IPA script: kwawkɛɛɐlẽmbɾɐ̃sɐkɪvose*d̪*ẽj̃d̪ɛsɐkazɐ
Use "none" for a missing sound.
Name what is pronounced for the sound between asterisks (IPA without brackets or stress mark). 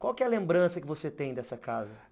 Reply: t̪